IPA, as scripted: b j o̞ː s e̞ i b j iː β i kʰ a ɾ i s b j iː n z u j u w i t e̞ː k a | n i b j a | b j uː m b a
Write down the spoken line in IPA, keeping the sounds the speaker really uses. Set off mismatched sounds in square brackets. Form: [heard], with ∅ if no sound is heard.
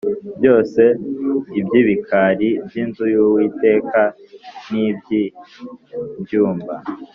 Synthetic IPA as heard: b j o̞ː s e̞ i b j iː β i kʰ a ɾ i [∅] b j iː n z u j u w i t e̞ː k a | n i b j [i] | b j uː m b a